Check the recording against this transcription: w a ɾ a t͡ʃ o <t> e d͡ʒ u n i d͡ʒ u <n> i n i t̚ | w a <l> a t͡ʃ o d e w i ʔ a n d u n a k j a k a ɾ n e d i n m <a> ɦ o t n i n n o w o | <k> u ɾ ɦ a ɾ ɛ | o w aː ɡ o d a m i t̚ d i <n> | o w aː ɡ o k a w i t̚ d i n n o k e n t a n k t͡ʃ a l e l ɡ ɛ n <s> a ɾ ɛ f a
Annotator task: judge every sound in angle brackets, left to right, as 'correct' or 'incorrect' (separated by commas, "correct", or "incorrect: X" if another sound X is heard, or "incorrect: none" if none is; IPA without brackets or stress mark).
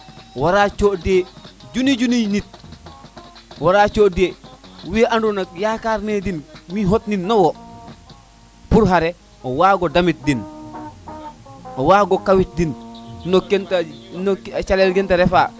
incorrect: d, correct, incorrect: ɾ, incorrect: i, incorrect: p, correct, incorrect: t